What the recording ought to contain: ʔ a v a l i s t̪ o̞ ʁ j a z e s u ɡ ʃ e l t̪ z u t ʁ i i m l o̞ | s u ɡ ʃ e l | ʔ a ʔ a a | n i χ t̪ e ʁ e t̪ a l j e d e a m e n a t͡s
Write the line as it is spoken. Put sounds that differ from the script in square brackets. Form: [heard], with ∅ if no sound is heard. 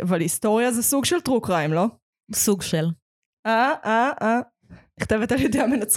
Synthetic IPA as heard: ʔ a v a l i s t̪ o̞ ʁ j a z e s u ɡ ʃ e l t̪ [ʁ] u [k] ʁ [a] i m l o̞ | s u ɡ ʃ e l | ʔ a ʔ a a | n i χ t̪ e [v] e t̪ a l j e d e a m e n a t͡s